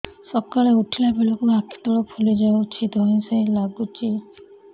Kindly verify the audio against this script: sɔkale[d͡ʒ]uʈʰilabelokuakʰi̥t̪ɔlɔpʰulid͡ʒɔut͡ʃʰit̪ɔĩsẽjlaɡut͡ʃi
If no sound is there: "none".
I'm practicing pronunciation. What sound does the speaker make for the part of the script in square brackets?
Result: none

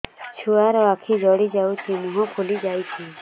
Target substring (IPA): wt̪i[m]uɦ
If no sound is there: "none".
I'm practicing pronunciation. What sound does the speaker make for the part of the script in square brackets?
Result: m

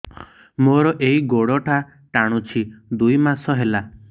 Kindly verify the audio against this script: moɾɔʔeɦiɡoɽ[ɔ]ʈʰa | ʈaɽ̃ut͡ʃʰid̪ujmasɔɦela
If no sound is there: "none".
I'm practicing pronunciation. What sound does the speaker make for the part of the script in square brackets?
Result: ɔ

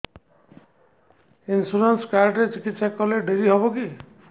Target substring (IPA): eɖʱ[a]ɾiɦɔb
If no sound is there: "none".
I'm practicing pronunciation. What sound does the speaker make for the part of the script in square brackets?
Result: e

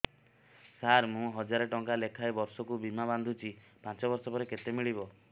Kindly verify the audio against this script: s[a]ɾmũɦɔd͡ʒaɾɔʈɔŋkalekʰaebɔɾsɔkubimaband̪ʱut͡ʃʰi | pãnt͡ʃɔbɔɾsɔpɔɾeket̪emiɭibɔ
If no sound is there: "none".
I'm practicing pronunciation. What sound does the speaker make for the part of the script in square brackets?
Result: a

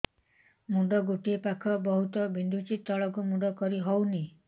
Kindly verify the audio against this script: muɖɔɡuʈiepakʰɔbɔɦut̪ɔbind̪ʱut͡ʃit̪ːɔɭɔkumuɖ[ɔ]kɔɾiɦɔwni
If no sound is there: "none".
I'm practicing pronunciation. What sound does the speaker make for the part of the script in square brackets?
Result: ɔ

